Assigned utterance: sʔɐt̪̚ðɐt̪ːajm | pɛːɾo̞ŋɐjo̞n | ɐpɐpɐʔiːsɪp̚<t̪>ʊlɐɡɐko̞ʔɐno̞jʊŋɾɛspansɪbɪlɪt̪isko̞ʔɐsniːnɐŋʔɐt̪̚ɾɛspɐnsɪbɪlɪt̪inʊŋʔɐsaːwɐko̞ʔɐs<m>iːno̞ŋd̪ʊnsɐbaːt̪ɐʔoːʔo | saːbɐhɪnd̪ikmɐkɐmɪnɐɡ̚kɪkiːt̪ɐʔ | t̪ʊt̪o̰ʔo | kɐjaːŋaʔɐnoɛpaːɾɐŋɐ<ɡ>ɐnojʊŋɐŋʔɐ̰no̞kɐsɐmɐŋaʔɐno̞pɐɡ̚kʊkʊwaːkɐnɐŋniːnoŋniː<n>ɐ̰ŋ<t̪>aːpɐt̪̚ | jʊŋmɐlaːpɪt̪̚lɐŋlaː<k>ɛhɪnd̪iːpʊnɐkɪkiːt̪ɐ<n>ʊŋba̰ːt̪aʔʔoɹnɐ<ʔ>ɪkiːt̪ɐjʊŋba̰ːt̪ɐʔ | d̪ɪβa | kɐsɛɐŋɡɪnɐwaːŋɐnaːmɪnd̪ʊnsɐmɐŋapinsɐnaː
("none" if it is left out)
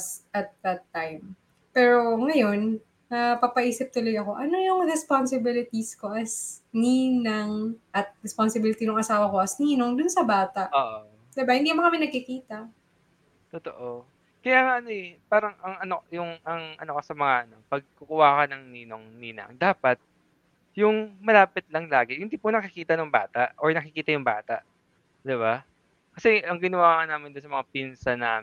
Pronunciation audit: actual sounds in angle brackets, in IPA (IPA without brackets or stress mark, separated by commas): t̪, n, ŋ, n, d̪, ɡ, n, k